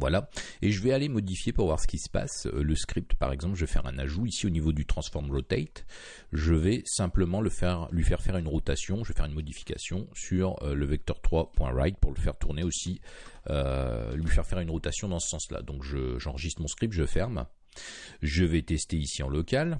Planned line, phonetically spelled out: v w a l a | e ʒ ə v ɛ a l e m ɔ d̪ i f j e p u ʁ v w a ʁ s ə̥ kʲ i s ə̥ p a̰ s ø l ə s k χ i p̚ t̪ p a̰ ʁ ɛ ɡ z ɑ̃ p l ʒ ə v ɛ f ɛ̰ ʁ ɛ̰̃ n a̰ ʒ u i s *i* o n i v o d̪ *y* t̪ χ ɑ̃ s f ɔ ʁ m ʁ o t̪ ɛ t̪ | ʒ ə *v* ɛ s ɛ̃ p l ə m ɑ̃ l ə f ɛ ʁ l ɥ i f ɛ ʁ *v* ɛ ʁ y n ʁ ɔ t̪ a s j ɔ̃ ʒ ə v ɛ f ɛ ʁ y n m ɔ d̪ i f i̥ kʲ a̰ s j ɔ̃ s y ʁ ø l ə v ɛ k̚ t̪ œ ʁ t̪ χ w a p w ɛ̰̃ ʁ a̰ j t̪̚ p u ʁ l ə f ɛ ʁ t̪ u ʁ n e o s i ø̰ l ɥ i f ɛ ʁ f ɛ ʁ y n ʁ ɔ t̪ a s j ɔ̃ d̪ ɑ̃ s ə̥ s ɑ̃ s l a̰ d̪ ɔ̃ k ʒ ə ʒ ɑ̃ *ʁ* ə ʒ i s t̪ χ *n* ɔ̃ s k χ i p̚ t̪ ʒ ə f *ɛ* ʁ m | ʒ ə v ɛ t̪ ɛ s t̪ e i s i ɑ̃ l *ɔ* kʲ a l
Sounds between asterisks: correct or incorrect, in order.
correct, correct, correct, incorrect: f, correct, incorrect: m, correct, correct

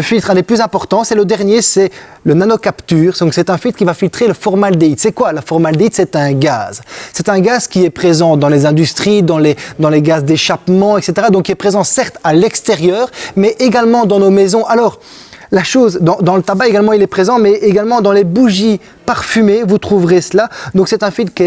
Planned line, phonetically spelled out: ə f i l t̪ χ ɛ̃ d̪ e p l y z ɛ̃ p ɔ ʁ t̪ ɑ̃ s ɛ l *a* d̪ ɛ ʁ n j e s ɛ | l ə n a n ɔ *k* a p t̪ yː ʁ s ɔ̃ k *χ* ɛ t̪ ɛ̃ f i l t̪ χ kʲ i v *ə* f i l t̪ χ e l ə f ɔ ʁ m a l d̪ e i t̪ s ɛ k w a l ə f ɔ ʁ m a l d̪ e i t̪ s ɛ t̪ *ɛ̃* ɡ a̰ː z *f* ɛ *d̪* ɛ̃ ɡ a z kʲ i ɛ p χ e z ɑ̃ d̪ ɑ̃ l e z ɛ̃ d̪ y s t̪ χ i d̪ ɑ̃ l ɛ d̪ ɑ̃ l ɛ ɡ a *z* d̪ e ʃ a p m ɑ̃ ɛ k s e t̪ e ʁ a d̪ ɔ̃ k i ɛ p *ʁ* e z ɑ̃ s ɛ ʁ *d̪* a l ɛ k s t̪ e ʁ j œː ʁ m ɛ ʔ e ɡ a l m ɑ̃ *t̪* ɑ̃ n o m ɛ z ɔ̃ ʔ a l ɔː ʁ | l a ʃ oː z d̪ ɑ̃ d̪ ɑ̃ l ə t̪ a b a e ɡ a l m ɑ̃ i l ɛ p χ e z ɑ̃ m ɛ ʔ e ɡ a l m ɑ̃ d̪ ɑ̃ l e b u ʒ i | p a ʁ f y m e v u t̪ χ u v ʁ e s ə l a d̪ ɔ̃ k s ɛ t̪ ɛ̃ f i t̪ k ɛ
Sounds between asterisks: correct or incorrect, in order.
incorrect: ə, correct, incorrect: s, incorrect: a, correct, incorrect: s, incorrect: t̪, correct, incorrect: χ, incorrect: t̪, incorrect: d̪

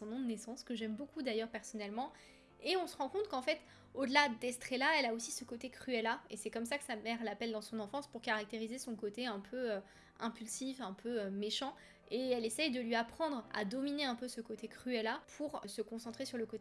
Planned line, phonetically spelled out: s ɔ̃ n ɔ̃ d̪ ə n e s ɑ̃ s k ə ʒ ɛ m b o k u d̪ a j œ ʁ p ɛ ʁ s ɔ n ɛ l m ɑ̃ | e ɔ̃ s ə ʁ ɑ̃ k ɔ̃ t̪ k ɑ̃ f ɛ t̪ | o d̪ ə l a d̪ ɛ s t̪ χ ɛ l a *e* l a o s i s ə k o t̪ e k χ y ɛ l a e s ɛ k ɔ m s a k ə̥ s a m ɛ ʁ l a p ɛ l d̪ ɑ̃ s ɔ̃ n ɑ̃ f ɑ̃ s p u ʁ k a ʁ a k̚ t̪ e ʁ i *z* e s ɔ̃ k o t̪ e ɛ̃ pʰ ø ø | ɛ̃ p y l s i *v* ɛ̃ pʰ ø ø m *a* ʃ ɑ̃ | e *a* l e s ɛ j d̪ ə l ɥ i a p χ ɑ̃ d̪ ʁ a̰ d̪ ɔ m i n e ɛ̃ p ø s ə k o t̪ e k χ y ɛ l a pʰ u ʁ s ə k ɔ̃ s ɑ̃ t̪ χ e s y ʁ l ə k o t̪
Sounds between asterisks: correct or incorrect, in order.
incorrect: ɛ, correct, incorrect: f, incorrect: e, incorrect: ɛ

